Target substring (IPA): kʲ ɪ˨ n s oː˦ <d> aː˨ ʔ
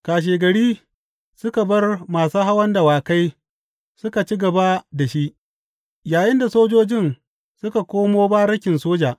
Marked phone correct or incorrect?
incorrect